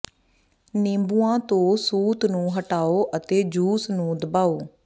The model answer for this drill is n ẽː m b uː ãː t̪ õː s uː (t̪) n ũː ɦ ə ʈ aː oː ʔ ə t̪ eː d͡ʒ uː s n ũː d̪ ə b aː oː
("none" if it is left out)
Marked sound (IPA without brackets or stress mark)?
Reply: t̪